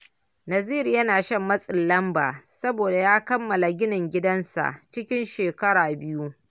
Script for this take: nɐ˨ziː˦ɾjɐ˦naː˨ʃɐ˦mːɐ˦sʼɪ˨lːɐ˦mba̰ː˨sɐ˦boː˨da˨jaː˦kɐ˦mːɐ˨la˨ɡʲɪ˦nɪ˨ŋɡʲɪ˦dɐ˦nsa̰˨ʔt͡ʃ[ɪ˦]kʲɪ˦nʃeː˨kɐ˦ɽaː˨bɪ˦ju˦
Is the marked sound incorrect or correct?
correct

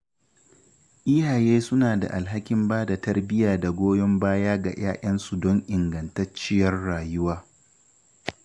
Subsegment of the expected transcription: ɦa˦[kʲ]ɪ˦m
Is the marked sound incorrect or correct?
correct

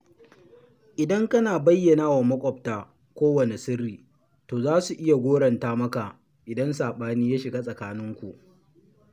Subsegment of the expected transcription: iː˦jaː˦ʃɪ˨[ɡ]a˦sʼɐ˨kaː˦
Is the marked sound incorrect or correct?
correct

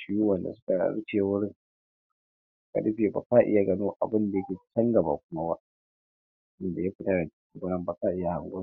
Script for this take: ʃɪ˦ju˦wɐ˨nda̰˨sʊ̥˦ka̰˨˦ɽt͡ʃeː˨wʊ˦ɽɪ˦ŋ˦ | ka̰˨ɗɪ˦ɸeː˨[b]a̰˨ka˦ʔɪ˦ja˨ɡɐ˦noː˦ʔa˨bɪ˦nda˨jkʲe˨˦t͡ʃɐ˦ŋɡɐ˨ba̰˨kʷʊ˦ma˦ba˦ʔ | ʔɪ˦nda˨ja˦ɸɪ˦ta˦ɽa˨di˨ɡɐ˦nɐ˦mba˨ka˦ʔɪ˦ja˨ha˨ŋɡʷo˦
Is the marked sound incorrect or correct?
correct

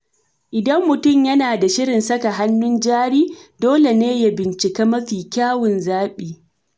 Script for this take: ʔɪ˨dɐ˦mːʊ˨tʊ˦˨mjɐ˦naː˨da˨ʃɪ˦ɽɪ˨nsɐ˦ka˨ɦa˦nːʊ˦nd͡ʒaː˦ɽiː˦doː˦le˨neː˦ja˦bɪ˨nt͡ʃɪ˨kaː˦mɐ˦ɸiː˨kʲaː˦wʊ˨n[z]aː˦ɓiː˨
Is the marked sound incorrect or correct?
correct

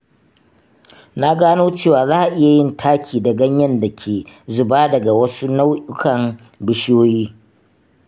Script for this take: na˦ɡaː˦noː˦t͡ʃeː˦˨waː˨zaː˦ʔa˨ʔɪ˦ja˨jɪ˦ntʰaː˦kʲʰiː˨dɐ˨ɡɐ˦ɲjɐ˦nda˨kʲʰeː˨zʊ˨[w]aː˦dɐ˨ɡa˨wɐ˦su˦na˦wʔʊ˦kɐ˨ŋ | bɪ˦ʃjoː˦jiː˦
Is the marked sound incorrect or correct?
incorrect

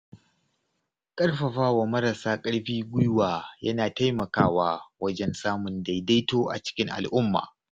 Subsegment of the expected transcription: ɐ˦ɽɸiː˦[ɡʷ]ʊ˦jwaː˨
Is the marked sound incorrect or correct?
correct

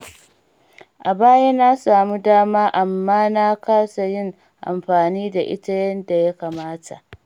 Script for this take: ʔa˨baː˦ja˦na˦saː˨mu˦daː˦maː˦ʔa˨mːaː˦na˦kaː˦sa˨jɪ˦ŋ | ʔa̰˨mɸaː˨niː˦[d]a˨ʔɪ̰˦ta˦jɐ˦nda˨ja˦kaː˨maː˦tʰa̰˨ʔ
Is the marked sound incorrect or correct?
correct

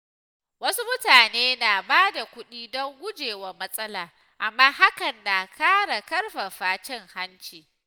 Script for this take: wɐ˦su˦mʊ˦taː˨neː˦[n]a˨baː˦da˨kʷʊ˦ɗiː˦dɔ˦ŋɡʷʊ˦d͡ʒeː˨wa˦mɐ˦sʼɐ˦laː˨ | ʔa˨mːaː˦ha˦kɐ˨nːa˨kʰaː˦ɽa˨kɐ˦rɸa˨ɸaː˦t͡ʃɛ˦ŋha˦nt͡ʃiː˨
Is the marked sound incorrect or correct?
correct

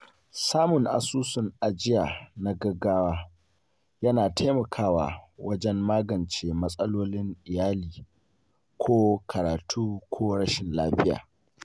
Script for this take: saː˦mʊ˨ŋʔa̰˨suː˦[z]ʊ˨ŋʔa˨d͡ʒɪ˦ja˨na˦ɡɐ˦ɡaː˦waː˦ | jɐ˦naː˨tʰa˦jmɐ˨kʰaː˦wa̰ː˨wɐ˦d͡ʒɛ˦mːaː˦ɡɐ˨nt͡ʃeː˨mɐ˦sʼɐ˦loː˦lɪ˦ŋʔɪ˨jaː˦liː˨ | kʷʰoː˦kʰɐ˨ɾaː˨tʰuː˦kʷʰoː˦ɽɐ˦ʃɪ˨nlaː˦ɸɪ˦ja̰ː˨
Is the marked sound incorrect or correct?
incorrect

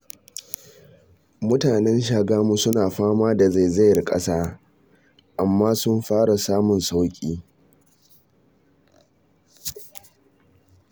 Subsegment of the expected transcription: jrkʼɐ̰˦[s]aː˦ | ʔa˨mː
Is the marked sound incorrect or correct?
correct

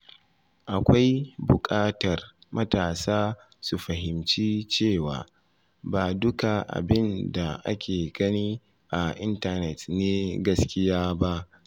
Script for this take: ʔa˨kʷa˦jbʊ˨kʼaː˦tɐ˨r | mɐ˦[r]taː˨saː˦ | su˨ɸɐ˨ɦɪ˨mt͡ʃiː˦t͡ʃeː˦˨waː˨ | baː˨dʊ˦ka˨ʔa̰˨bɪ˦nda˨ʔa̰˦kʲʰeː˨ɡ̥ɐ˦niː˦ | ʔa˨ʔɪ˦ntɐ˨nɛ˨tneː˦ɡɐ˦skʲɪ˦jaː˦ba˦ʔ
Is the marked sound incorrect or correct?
incorrect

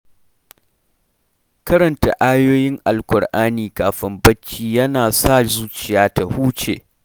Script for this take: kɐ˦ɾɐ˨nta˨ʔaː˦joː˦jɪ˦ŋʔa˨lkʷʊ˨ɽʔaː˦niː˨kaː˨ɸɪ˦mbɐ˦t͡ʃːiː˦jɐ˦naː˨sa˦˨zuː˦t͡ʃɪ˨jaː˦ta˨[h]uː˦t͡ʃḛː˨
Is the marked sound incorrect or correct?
correct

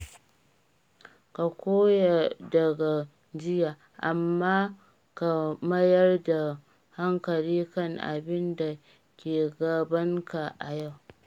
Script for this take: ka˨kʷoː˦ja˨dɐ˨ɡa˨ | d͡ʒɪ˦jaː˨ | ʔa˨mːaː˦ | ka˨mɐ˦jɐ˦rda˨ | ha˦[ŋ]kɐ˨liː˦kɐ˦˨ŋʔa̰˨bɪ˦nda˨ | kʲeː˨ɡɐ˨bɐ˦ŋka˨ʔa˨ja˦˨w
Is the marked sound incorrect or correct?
correct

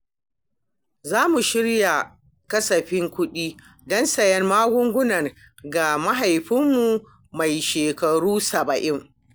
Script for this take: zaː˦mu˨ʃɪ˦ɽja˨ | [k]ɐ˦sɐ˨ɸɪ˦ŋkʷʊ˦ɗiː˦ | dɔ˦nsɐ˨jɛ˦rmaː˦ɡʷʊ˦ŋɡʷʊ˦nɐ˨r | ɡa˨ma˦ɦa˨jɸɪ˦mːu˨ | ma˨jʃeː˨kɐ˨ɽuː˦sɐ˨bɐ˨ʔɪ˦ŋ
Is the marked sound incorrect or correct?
correct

